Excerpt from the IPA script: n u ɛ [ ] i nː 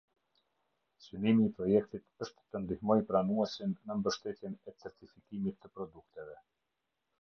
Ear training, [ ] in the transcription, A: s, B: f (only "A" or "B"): A